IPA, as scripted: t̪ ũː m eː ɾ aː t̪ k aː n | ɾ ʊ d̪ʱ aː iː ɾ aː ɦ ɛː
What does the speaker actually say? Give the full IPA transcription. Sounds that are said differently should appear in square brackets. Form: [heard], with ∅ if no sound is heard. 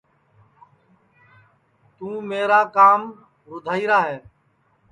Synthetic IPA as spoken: t̪ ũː m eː ɾ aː [∅] k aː [m] | ɾ ʊ d̪ʱ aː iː ɾ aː ɦ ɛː